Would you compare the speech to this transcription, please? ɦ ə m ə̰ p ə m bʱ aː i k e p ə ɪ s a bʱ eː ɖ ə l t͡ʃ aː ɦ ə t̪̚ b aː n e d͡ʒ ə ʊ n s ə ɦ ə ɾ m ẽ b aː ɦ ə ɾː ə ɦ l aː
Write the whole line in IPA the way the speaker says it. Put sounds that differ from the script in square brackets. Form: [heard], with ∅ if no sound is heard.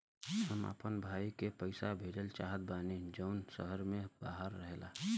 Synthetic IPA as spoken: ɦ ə m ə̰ p ə [n] bʱ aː i k e p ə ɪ s a bʱ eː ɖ ə l t͡ʃ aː ɦ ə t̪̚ b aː n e d͡ʒ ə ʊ n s ə ɦ ə ɾ m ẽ b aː ɦ ə ɾː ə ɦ l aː